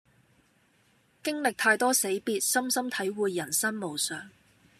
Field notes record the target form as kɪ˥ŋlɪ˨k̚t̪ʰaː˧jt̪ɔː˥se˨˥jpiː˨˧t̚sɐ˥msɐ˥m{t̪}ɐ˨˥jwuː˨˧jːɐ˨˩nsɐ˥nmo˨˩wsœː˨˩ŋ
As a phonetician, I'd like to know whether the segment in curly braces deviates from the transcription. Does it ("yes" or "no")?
yes